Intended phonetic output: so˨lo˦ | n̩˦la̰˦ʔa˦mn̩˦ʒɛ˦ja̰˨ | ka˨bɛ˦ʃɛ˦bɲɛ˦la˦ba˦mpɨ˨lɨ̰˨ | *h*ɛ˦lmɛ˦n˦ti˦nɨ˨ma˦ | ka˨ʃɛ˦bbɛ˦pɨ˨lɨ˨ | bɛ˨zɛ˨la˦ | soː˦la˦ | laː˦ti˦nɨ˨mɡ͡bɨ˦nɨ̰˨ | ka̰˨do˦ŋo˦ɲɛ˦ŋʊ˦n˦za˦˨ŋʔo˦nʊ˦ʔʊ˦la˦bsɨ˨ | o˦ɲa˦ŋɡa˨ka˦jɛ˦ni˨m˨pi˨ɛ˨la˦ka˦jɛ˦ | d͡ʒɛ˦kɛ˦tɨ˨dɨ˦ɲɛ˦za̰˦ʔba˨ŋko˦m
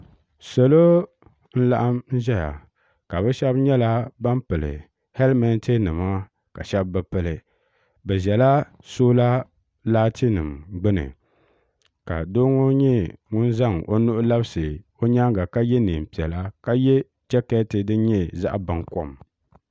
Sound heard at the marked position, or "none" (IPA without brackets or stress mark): h